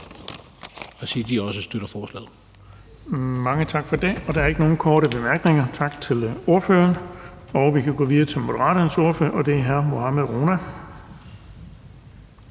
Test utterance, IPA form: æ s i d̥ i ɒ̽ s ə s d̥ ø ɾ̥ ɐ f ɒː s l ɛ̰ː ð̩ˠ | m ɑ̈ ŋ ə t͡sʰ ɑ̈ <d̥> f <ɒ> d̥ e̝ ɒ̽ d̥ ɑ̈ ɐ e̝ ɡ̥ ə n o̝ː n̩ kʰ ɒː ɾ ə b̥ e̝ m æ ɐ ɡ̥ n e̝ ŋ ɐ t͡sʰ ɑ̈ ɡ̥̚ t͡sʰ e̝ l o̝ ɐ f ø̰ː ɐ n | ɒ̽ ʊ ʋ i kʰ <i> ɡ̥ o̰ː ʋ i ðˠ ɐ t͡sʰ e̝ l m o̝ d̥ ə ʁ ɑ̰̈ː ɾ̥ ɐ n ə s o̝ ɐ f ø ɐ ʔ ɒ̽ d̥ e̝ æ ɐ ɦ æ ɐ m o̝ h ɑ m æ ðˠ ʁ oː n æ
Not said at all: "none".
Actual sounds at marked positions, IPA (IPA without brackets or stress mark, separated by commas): ɡ̥, ɒ, æ